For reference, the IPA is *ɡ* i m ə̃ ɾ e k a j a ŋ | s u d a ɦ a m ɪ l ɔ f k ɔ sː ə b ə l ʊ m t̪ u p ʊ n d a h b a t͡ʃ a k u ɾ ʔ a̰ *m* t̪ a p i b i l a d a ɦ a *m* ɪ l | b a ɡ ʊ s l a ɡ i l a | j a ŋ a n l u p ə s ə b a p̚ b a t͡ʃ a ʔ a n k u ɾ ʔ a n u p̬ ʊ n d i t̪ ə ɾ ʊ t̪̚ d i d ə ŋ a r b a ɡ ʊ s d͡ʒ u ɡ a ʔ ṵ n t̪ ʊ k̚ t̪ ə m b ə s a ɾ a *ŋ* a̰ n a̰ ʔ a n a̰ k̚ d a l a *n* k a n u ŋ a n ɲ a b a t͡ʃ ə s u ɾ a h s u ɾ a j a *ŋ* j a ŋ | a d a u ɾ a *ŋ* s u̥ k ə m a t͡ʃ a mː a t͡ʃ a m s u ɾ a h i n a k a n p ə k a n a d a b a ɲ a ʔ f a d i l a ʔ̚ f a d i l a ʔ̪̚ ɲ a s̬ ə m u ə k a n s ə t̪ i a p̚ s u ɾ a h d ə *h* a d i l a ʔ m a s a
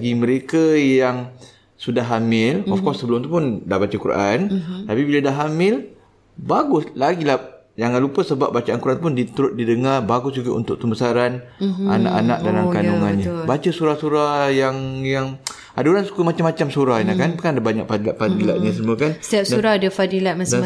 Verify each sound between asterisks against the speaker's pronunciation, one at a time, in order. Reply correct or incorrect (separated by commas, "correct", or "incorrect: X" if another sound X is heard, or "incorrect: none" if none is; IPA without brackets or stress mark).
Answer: correct, incorrect: n, correct, incorrect: n, incorrect: m, correct, incorrect: n, incorrect: f